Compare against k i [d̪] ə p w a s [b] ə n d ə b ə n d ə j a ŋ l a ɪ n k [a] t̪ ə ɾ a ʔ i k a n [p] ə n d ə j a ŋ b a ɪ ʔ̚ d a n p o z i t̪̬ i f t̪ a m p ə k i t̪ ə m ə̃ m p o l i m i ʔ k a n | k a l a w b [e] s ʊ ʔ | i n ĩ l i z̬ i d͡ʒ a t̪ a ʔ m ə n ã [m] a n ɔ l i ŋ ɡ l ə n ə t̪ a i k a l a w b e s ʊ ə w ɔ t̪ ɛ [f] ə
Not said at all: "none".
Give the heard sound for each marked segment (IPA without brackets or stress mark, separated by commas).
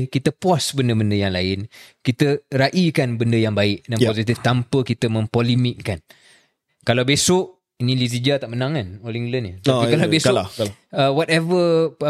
t̪, b, i, b, e, ŋ, v